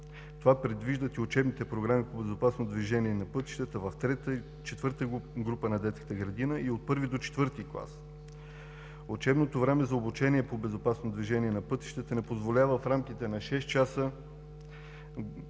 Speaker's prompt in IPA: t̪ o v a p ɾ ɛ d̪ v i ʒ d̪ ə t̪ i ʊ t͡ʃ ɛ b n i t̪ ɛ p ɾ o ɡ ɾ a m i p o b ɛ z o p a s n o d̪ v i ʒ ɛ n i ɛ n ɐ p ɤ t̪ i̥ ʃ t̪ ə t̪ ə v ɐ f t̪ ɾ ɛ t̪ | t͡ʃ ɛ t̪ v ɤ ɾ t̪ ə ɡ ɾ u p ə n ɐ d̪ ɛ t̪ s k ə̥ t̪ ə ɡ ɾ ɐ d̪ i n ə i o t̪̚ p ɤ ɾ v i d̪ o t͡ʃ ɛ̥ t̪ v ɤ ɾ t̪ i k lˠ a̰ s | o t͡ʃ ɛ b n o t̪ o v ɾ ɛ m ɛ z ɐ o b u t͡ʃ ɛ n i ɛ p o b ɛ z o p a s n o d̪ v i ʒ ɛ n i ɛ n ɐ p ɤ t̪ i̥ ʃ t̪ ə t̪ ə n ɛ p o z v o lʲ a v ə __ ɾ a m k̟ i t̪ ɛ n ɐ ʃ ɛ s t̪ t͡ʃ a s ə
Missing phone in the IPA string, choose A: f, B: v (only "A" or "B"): A